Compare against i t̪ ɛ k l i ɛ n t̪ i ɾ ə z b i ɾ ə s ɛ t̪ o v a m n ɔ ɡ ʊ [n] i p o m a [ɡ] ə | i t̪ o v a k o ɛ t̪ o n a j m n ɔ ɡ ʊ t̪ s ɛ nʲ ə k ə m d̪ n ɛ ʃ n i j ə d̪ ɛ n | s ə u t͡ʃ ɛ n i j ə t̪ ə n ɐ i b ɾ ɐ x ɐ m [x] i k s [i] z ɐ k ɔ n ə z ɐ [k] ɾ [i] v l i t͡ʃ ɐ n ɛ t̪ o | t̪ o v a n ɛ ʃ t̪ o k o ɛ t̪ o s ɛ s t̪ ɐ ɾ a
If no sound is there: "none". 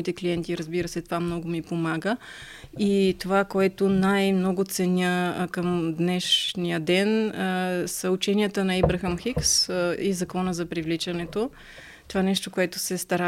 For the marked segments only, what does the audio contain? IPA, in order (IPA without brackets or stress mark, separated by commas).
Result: m, ɡ, x, i, p, i